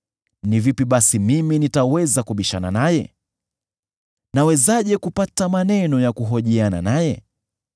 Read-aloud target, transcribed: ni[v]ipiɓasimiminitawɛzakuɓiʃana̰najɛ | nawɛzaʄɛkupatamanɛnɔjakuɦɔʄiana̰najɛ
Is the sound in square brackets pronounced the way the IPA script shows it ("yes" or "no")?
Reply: yes